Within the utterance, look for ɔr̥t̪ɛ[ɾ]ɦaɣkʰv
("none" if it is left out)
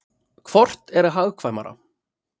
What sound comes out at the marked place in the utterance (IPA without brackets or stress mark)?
ɾ